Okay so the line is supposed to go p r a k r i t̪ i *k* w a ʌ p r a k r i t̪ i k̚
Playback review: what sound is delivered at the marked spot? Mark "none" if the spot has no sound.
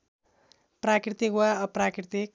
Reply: k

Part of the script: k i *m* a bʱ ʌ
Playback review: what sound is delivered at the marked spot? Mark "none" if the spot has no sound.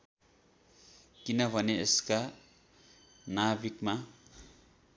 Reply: n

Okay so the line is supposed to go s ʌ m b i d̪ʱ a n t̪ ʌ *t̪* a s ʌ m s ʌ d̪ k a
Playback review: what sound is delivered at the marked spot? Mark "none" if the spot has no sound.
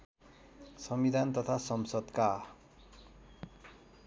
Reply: t̪ʰ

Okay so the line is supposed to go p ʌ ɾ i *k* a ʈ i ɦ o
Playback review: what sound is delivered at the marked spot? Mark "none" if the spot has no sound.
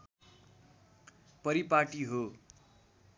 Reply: p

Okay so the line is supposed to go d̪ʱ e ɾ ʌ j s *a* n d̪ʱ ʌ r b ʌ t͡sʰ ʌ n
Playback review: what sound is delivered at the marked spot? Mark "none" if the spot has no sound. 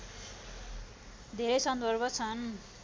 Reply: ʌ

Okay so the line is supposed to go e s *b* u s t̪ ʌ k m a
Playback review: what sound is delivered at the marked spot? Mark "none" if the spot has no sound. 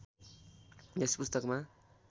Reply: p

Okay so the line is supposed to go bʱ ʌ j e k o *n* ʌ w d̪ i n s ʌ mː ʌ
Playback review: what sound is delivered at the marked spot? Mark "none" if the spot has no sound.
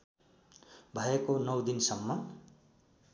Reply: n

